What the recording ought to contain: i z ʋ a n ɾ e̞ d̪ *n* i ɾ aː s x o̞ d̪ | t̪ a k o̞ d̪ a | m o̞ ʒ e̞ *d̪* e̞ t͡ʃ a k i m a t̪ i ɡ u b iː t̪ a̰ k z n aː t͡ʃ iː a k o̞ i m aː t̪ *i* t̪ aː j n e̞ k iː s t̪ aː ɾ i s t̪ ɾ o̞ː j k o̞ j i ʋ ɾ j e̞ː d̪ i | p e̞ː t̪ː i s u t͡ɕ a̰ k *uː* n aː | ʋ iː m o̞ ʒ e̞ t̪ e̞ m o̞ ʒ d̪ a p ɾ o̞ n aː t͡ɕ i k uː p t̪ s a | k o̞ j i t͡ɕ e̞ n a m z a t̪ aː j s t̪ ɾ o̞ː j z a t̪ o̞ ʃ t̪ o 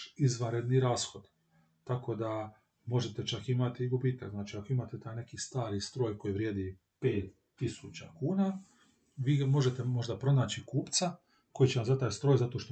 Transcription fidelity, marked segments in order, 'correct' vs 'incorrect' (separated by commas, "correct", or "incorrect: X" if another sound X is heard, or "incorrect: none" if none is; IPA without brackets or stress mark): correct, incorrect: t̪, incorrect: e, correct